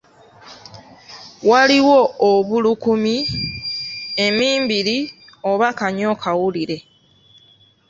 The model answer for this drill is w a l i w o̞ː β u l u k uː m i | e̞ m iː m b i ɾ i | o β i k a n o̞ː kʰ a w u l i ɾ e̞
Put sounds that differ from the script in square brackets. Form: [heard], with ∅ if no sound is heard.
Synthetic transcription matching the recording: w a l i w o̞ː β u l u k [u] m i | e̞ m iː m b i ɾ i | o β [a] k a [ɲ] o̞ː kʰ a w u l i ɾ e̞